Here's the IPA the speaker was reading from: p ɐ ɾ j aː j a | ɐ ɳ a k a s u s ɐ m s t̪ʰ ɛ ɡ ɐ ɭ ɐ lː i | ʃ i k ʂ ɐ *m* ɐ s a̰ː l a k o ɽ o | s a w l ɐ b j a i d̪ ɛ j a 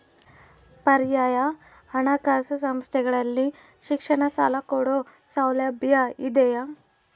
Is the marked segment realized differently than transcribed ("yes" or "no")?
yes